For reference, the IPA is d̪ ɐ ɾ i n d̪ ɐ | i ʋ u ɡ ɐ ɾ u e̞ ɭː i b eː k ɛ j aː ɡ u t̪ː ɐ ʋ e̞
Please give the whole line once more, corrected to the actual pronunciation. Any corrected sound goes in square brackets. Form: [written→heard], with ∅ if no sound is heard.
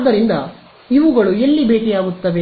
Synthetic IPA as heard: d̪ ɐ ɾ i n d̪ ɐ | i ʋ u ɡ ɐ [ɾ→ɭ] u e̞ [ɭː→lː] i b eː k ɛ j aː ɡ u t̪ː ɐ ʋ e̞

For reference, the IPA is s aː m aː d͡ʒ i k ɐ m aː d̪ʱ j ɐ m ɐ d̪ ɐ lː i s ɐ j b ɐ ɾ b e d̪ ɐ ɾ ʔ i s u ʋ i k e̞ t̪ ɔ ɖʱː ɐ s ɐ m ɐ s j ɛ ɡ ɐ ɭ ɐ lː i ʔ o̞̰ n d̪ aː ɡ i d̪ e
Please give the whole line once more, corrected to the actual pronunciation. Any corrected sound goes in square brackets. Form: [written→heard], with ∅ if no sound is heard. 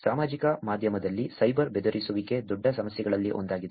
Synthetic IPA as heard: s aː m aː d͡ʒ i k ɐ m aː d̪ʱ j ɐ m ɐ d̪ ɐ lː i s ɐ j b ɐ ɾ b e d̪ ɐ ɾ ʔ i s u ʋ i k e̞ [t̪→d̪] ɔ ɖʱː ɐ s ɐ m ɐ s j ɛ ɡ ɐ ɭ ɐ lː i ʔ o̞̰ n d̪ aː ɡ i d̪ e

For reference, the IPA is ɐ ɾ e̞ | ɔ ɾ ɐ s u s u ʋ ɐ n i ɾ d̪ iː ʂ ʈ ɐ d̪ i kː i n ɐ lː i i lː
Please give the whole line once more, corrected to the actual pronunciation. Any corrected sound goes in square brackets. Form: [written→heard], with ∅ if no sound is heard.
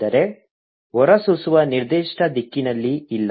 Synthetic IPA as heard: ɐ ɾ e̞ | ɔ ɾ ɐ s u s u ʋ ɐ n i ɾ d̪ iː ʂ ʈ ɐ d̪ i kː i n ɐ lː i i lː

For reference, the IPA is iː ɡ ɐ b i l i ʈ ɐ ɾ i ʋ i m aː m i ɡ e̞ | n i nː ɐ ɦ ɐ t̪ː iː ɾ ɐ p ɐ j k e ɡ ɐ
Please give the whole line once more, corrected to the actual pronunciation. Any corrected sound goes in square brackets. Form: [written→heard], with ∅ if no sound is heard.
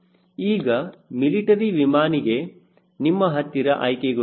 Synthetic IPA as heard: iː ɡ ɐ [b→m] i l i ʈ ɐ ɾ i ʋ i m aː [m→n] i ɡ e̞ | n i [nː→mː] ɐ ɦ ɐ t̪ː [iː→i] ɾ ɐ [p→ʔ] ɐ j k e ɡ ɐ

